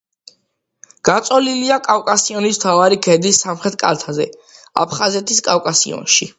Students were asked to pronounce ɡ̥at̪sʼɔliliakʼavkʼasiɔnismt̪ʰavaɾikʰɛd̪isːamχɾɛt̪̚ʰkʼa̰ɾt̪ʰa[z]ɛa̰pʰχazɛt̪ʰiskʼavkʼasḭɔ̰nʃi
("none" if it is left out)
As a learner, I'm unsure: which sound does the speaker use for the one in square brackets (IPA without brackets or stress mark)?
z